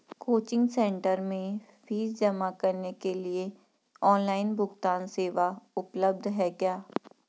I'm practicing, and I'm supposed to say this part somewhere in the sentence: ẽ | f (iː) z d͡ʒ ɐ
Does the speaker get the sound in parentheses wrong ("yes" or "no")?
no